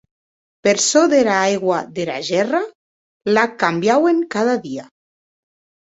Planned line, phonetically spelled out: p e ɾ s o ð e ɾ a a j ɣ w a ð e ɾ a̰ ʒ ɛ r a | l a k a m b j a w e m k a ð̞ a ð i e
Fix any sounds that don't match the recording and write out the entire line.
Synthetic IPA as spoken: p e ɾ s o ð e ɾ a a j ɣ w a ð e ɾ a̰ ʒ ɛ r a | l a k a m b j a w e ŋ k a ð̞ a ð i a